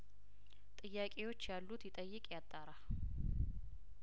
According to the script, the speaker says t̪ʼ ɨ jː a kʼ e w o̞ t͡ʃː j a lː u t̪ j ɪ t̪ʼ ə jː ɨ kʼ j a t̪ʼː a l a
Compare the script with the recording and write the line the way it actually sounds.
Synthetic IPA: t̪ʼ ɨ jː a kʼ e w o̞ t͡ʃː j a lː u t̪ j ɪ t̪ʼ ə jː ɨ kʼ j a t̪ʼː a ɾ a